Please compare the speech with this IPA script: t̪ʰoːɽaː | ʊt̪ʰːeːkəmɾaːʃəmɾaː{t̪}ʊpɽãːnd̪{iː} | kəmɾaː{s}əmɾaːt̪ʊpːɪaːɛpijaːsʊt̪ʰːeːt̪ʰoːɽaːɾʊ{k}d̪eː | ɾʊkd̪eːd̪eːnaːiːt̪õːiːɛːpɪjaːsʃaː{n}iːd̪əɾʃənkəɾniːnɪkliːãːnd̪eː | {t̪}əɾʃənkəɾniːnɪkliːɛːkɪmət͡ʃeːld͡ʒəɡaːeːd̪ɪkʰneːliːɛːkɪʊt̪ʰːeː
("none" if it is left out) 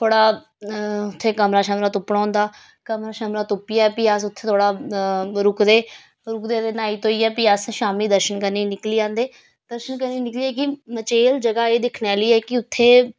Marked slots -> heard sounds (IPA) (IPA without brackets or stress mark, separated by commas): t̪, aː, ʃ, k, m, d̪